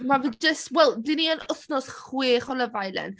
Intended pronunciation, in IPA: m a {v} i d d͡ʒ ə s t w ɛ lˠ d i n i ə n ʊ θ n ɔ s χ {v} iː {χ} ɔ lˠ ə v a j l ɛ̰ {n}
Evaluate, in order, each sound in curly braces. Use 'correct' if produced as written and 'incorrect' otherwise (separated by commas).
correct, incorrect, correct, correct